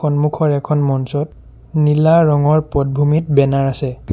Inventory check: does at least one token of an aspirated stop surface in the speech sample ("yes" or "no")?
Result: yes